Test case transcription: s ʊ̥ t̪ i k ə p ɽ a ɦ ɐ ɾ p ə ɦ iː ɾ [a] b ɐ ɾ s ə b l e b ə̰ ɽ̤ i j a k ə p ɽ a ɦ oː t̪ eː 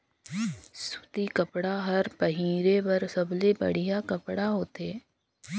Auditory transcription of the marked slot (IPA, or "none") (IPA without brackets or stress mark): e